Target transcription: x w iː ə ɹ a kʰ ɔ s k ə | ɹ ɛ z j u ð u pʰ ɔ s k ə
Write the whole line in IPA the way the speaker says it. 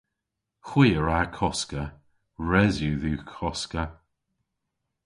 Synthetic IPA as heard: x w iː ə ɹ a kʰ ɔ s k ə | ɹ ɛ z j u ð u kʰ ɔ s k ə